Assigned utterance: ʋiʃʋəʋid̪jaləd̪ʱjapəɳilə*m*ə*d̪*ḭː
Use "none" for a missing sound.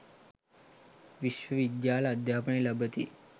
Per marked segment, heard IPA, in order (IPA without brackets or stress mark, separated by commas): b, t̪